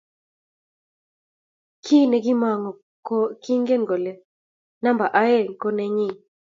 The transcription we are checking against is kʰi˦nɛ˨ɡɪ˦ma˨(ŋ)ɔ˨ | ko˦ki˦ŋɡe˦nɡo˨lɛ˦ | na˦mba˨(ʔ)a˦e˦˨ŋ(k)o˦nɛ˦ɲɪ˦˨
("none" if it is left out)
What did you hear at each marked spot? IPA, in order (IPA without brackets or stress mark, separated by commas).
ŋ, ʔ, k